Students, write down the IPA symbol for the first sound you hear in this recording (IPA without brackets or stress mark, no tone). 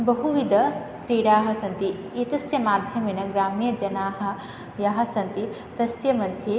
b